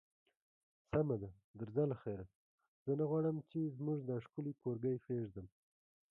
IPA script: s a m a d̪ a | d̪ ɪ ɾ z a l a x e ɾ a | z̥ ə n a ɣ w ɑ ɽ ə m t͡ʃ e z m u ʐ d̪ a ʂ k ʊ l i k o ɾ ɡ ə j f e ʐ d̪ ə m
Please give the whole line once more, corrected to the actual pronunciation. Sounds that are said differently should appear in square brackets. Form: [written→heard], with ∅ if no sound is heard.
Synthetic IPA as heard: s a m a d̪ a | d̪ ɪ ɾ z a l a x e ɾ a | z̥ ə n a ɣ w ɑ ɽ ə m t͡ʃ e z m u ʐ d̪ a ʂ k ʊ l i k o ɾ ɡ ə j f e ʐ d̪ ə m